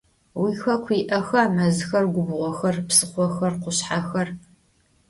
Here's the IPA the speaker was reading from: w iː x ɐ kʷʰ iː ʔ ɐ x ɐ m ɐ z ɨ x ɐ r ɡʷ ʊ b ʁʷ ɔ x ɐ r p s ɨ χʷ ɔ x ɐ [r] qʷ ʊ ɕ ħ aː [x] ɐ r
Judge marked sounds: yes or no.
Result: yes, yes

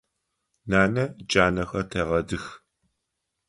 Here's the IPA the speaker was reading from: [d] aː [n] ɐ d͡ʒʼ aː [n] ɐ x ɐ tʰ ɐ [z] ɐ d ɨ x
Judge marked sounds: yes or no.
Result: no, yes, yes, no

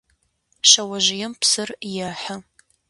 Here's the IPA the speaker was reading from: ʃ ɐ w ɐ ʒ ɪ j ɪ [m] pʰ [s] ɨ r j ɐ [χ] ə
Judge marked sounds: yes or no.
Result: yes, yes, no

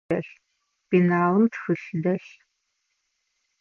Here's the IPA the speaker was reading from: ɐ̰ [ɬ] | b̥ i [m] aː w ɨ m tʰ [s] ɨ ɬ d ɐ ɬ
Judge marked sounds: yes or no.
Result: yes, no, no

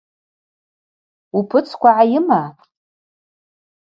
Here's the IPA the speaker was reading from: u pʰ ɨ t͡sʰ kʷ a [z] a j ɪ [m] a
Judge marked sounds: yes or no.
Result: no, yes

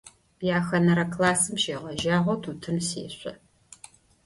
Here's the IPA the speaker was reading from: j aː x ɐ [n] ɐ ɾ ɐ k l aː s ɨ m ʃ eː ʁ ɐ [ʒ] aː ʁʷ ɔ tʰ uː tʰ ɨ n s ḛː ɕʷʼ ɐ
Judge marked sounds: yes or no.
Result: yes, yes

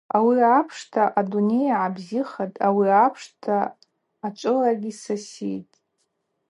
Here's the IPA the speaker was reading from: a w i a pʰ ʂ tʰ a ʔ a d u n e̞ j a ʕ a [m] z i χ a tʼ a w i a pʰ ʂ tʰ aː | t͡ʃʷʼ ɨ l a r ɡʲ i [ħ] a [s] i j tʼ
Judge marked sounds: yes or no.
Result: no, no, yes

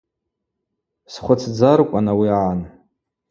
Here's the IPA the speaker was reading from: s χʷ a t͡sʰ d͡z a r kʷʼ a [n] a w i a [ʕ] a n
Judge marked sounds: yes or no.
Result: yes, yes

